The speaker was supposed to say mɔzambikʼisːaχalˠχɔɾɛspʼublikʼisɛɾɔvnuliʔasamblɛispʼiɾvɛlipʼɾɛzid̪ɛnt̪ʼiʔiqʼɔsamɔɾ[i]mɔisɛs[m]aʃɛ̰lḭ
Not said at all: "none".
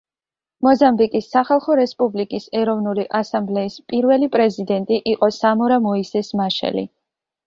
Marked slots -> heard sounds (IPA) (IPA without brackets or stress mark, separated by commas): a, m